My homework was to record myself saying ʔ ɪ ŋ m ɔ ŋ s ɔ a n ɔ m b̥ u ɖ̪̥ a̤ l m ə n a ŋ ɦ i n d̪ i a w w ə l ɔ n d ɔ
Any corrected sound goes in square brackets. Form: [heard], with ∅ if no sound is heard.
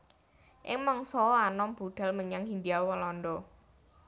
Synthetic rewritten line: ʔ ɪ ŋ m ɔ ŋ s ɔ a n ɔ m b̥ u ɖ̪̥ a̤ l m ə [ɲ] a ŋ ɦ i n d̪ i a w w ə l ɔ n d ɔ